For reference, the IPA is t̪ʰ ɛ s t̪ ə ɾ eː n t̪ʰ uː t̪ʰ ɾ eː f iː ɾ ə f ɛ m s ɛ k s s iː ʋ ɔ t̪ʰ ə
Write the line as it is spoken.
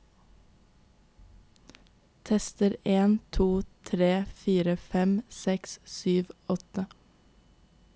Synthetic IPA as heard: t̪ʰ ɛ s t̪ ə ɾ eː n t̪ʰ uː t̪ʰ ɾ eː f iː ɾ ə f ɛ m s ɛ k s s yː ʋ ɔ t̪ ə